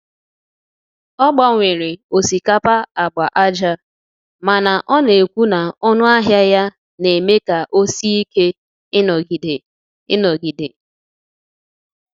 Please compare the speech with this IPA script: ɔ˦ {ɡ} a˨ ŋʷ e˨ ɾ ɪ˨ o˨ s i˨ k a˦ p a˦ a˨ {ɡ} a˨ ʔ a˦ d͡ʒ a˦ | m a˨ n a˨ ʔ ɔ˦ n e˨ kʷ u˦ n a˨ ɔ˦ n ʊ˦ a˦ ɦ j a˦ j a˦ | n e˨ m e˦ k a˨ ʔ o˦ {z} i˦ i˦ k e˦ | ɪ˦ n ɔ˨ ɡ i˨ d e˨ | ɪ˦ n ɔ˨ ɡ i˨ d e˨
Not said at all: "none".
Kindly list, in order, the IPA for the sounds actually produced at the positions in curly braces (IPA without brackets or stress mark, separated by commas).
ɡ͡b, ɡ͡b, s